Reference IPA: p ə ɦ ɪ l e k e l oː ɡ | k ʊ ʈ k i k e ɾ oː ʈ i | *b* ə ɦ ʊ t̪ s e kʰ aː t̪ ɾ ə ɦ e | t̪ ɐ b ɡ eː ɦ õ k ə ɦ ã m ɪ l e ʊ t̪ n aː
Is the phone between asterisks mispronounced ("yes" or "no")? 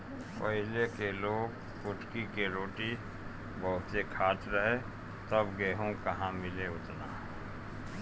no